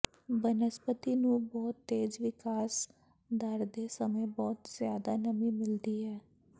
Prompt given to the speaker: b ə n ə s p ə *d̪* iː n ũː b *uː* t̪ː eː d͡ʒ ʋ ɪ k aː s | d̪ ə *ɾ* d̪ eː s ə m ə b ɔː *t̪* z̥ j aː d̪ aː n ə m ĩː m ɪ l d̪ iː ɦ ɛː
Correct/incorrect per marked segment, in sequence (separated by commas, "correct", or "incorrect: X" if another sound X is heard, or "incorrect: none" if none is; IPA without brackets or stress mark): incorrect: t̪, incorrect: ɔː, correct, correct